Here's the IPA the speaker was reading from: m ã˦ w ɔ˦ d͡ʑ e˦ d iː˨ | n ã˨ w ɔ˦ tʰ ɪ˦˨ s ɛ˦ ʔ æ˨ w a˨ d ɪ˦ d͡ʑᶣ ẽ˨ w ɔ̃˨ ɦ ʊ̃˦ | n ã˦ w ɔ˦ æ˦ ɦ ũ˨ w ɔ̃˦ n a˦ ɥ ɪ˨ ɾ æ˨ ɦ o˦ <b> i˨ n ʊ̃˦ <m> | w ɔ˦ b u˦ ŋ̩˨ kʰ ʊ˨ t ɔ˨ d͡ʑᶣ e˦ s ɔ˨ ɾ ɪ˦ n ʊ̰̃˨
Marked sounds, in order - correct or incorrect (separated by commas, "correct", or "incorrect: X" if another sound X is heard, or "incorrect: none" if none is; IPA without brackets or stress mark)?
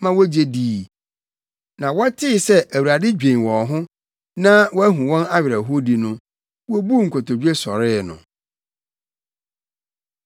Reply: incorrect: d, incorrect: none